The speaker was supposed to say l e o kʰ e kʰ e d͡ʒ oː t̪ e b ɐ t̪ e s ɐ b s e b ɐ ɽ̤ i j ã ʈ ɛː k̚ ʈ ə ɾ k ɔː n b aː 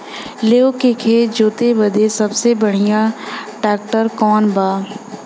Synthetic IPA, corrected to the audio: l e o k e kʰ e d͡ʒ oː t̪ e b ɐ d̪ e s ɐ b s e b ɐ ɽ̤ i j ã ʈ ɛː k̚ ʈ ə ɾ k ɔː n b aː